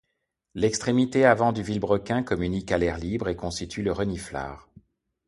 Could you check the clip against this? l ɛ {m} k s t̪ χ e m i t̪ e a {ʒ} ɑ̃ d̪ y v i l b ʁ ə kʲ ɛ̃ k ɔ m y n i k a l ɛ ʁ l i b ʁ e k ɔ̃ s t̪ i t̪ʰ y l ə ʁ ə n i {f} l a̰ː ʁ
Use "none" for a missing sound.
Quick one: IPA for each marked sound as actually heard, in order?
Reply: none, v, f

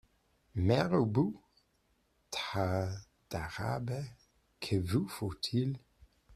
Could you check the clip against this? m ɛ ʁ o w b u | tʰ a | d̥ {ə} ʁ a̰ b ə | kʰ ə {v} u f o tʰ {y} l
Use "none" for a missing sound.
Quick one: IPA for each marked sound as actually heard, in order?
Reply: a, v, i

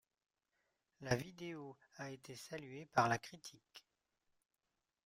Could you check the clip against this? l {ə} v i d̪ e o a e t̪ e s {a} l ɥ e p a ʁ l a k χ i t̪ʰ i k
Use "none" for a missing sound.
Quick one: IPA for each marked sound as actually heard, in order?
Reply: a, a

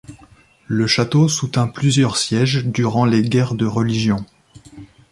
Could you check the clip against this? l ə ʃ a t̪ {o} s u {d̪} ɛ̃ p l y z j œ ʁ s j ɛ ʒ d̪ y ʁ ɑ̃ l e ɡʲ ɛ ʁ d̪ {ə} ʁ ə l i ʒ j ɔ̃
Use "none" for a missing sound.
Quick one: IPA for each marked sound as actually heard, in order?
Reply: o, t̪, ə

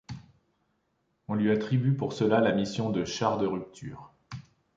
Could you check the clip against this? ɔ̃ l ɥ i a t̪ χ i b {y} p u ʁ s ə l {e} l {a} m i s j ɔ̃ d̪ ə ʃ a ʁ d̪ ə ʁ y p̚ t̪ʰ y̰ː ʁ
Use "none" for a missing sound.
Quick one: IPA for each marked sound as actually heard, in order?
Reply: y, a, a

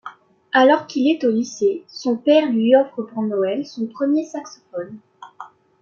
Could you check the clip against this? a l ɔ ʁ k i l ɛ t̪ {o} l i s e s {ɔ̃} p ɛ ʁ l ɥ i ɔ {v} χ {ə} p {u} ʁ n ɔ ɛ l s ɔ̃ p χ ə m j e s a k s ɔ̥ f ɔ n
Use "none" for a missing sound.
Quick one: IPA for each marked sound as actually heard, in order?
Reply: o, ɔ̃, f, ə, u

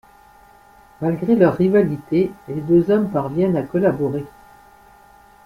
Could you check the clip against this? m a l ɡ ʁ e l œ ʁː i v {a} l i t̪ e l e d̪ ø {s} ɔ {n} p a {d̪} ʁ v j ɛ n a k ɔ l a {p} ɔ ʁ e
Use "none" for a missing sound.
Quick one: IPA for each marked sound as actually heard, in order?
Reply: a, z, m, none, b

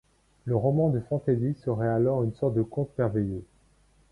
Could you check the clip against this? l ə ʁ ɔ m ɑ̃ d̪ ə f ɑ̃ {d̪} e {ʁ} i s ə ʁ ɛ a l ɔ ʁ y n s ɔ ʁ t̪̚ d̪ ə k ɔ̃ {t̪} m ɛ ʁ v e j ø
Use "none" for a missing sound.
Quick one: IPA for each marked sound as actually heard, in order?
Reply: t̪, z, t̪

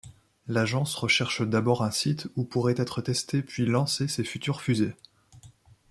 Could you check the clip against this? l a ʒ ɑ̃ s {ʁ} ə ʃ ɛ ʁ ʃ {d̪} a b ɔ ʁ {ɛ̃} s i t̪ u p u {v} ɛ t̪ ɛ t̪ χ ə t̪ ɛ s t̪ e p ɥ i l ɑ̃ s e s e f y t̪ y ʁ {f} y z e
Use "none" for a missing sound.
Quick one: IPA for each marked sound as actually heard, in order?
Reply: ʁ, d̪, ɛ̃, ʁ, f

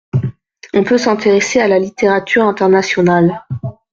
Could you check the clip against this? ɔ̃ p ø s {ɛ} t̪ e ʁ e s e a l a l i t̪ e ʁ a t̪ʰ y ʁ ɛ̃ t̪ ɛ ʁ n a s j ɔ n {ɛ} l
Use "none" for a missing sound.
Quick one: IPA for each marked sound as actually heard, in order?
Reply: ɛ̃, a

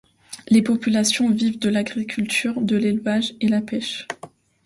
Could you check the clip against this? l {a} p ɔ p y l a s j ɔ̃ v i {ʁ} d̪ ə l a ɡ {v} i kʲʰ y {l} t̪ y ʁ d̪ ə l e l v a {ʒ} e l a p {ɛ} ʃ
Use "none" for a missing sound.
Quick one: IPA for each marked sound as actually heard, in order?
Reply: e, v, ʁ, l, ʒ, ɛ

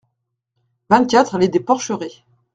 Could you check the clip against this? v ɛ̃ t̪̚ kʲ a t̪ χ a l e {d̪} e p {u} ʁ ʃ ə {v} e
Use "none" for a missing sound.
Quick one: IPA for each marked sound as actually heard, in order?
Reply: d̪, ɔ, ʁ

